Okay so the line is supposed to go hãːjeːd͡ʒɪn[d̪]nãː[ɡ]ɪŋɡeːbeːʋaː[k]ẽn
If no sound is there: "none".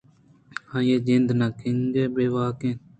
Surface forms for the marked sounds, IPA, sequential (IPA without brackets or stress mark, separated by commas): d̪, k, k